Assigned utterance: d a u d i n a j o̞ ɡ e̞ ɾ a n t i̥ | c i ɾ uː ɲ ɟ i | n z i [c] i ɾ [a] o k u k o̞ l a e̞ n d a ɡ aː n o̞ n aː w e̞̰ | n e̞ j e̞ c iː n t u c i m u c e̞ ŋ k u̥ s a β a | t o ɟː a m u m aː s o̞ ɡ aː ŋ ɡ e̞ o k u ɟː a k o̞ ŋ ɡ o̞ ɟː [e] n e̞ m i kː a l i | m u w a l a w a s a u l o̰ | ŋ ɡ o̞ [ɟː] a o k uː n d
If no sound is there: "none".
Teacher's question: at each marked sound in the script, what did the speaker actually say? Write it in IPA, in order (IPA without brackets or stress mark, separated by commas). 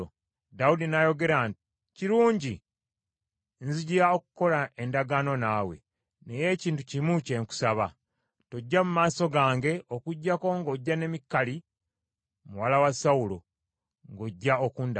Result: ɟ, a, a, ɟː